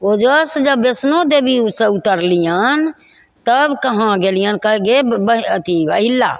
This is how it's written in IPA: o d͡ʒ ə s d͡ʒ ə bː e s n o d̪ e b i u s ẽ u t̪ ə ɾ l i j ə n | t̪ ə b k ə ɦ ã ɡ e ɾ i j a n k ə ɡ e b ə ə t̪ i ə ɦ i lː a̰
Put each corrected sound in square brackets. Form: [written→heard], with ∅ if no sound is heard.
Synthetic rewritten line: o d͡ʒ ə s d͡ʒ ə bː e s n o d̪ e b i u s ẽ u t̪ ə ɾ l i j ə n | t̪ ə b k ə ɦ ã ɡ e [ɾ→l] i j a n k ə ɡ e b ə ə t̪ i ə ɦ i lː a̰